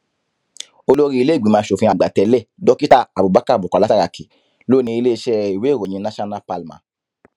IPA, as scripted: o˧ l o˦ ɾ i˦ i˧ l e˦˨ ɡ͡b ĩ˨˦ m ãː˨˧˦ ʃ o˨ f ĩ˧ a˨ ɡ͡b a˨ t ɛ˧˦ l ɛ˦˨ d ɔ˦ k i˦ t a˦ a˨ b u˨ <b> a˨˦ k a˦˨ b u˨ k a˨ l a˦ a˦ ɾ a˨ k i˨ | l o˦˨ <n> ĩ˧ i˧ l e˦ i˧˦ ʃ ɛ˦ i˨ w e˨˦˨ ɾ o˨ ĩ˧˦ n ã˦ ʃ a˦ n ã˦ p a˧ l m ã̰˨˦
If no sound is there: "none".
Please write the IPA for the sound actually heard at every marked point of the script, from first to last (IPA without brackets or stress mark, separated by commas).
b, n